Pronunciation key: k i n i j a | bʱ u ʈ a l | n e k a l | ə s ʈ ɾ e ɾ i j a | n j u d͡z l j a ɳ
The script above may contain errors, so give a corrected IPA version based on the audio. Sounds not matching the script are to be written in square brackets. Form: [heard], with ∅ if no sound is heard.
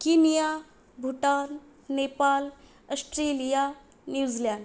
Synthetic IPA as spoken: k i n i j a | bʱ u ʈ a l | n e [p] a l | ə s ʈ ɾ e [l] i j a | n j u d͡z l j a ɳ